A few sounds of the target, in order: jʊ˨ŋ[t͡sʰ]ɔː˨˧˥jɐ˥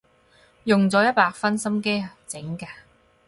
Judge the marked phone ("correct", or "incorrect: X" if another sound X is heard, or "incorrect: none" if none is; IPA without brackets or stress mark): incorrect: t͡s